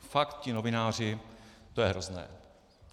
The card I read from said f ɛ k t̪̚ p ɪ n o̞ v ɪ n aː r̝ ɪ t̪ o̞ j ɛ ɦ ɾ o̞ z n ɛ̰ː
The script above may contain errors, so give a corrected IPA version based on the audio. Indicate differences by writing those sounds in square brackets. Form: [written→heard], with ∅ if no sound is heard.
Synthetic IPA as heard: f [ɛ→a] k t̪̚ [p→c] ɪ n o̞ v ɪ n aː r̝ ɪ t̪ o̞ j ɛ ɦ ɾ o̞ z n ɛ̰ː